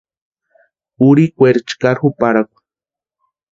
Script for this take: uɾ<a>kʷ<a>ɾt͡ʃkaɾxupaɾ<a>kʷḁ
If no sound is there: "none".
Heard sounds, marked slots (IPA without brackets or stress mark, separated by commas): i, e, a